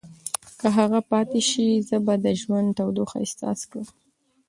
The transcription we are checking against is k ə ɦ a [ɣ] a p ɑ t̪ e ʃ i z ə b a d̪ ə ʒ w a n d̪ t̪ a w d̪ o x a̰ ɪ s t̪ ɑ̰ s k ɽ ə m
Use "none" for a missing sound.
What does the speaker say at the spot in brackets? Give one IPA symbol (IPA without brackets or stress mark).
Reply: ɣ